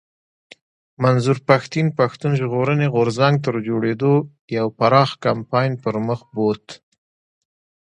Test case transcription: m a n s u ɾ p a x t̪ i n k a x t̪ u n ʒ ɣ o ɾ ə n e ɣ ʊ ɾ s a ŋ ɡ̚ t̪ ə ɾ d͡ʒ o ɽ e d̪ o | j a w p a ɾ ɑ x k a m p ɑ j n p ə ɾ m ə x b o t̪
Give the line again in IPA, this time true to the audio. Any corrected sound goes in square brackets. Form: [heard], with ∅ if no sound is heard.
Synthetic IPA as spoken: m a n [z] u ɾ p a x t̪ i n [p] a x t̪ u n ʒ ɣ o ɾ ə n e ɣ ʊ ɾ [z] a ŋ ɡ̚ t̪ ə ɾ d͡ʒ o ɽ e d̪ o | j a w p a ɾ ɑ x k a m p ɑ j n p ə ɾ m ə x b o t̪